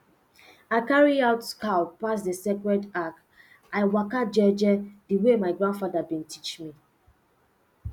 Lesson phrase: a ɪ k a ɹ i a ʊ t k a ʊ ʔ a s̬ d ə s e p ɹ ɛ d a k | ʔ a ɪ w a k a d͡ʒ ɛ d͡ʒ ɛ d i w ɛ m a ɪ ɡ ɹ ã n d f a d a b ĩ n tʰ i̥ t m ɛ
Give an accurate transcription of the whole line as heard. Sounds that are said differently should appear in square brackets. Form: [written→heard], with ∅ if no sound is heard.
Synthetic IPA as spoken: a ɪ k a ɹ i a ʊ t k a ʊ [ʔ→p] a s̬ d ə s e [p→k] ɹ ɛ d a k | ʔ a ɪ w a k a d͡ʒ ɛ d͡ʒ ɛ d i w [ɛ→e] m a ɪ ɡ ɹ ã n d f a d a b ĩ n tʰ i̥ [t→t͡ʃ] m [ɛ→i]